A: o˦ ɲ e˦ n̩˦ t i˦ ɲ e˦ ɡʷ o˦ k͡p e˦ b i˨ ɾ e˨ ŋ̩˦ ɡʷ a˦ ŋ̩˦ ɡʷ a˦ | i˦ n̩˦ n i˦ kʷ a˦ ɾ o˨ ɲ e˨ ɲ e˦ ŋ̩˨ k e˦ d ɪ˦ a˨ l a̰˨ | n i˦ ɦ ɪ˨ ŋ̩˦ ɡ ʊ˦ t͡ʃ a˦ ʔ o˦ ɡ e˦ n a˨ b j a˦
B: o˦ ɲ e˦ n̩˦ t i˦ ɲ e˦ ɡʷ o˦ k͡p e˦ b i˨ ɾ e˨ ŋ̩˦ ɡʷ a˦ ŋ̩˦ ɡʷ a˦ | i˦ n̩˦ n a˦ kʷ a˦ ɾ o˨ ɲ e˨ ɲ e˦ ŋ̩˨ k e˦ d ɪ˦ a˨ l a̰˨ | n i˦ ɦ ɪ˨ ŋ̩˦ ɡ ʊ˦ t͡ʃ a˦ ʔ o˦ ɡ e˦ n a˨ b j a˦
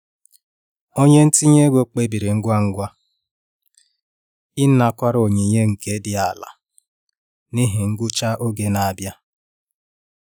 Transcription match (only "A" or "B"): B